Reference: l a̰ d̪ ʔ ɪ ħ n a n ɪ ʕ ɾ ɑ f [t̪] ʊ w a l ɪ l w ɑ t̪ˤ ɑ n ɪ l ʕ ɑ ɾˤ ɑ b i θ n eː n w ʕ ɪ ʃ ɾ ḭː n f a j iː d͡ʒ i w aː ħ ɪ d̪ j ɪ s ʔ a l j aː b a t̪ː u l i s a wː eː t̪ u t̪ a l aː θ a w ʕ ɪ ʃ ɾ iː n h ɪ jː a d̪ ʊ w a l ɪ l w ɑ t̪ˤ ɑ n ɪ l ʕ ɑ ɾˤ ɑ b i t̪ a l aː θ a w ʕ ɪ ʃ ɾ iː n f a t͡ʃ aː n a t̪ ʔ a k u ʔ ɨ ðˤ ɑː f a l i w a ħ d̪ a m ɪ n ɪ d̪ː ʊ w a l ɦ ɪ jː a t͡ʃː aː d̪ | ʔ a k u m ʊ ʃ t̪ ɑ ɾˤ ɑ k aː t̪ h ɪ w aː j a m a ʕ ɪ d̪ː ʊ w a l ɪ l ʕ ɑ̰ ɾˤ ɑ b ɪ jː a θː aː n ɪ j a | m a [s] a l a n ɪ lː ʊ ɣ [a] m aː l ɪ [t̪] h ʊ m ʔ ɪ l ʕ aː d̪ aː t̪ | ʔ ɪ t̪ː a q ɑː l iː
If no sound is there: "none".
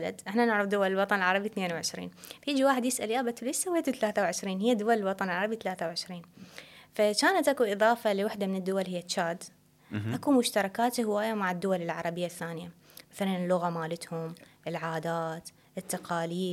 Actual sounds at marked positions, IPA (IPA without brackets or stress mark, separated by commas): d̪, θ, a, t̪